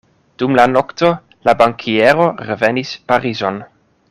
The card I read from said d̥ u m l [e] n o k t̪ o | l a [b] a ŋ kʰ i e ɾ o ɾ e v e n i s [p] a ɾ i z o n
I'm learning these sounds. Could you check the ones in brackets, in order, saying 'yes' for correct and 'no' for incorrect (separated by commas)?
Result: no, yes, yes